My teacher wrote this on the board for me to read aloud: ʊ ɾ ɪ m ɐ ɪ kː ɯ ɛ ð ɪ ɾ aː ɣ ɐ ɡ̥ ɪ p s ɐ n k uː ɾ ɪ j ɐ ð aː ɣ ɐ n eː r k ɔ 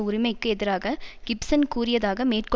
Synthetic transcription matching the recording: ʊ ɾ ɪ m ɐ ɪ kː ɯ ɛ ð ɪ ɾ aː ɣ ɐ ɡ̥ ɪ p s ɐ n k uː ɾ ɪ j ɐ ð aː ɣ ɐ m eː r k ɔ